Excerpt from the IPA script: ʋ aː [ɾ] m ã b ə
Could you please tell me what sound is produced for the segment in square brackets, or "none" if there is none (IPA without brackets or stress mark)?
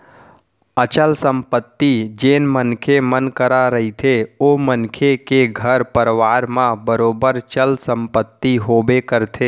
ɾ